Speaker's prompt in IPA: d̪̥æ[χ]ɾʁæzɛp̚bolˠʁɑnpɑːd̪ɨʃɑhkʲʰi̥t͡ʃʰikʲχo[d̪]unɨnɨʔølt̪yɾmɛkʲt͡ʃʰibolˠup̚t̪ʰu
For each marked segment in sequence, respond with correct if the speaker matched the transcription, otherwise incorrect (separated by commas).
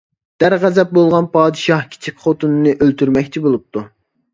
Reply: incorrect, incorrect